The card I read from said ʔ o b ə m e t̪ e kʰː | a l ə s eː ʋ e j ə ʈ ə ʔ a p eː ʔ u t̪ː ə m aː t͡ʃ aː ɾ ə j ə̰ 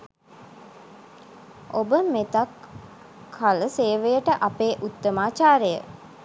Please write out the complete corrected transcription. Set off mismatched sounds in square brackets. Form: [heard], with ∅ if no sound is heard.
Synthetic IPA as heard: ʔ o b ə m e t̪ [a] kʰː | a l ə s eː ʋ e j ə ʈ ə ʔ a p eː ʔ u t̪ː ə m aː t͡ʃ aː ɾ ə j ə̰

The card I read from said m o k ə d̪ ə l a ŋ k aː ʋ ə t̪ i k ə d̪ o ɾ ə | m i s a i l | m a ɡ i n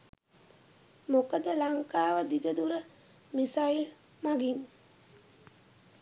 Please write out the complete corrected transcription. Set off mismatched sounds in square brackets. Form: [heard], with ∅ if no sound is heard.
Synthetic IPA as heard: m o k ə d̪ ə l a ŋ k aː ʋ ə [d̪] i [ɡ] ə d̪ [u] ɾ ə | m i s a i l | m a ɡ i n

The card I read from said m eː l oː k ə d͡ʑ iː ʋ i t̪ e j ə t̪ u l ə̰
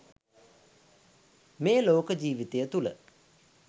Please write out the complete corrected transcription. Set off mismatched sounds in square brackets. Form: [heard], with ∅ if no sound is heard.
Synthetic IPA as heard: m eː l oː k ə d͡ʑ iː ʋ i t̪ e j ə t̪ u l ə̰

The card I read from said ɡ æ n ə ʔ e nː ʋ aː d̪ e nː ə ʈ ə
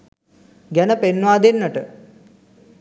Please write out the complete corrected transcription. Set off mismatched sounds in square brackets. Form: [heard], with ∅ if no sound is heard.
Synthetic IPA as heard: ɡ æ n ə [p] e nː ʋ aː d̪ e nː ə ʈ ə

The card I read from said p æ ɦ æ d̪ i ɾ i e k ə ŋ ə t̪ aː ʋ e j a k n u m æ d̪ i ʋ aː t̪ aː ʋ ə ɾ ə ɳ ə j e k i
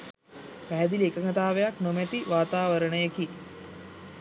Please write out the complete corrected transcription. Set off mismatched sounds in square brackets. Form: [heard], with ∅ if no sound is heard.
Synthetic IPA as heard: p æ ɦ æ d̪ i [l] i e k ə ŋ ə t̪ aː ʋ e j a k n [o] m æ [t̪] i ʋ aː t̪ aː ʋ ə ɾ ə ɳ ə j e k i

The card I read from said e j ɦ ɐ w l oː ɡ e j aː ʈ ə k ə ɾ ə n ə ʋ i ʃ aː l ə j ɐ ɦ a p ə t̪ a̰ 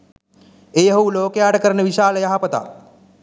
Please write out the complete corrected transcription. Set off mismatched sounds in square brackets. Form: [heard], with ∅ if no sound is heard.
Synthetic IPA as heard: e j ɦ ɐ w l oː [k] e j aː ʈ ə k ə ɾ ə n ə ʋ i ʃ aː l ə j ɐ ɦ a p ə t̪ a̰

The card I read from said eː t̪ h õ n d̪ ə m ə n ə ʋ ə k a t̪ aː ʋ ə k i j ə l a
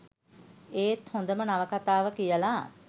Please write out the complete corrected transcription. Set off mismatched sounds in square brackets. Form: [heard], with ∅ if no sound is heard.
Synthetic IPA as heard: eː t̪ h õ n d̪ ə m ə n [a] ʋ ə k a t̪ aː ʋ ə k i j ə l a

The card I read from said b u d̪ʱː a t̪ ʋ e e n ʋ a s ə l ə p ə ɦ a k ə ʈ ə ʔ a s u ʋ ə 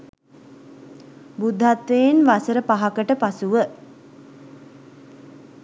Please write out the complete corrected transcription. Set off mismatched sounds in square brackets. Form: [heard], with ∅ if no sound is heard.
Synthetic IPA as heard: b u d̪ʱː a t̪ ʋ e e n ʋ a s ə [ɾ] ə p [a] ɦ a k ə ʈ ə [p] a s u ʋ ə

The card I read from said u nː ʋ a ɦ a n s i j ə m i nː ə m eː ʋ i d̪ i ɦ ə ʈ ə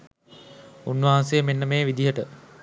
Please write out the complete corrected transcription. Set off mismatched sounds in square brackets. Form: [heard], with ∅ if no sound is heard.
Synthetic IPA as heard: u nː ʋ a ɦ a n s [e] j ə m [e] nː ə m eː ʋ i d̪ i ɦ ə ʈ ə

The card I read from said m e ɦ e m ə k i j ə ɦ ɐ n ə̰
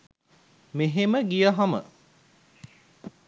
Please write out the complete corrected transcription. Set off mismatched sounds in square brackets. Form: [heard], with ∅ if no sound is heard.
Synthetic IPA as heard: m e ɦ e m ə [ɡ] i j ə ɦ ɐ [m] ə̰

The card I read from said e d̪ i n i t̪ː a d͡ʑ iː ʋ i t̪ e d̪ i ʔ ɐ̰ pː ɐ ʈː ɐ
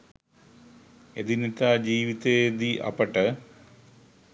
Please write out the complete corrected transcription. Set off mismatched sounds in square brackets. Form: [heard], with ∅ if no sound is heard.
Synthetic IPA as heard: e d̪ i n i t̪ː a d͡ʑ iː ʋ i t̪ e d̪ i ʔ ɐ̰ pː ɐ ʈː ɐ

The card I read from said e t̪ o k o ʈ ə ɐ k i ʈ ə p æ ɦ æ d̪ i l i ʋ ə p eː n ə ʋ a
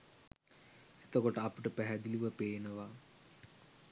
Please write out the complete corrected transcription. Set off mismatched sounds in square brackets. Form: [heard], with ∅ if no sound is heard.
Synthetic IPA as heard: e t̪ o k o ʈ ə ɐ [p] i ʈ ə p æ ɦ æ d̪ i l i ʋ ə p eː n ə ʋ a

